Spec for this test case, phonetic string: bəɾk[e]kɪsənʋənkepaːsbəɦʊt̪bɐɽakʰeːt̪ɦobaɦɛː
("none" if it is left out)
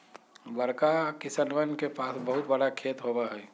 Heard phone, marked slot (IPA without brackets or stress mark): a